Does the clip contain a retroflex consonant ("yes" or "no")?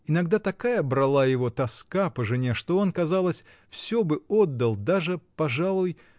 yes